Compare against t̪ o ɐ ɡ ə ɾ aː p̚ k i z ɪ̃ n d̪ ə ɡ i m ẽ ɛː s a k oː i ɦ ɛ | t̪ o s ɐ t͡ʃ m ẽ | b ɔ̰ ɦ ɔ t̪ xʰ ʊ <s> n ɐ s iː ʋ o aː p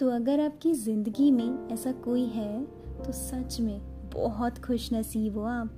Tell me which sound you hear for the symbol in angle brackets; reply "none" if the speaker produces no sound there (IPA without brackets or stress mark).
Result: ʃ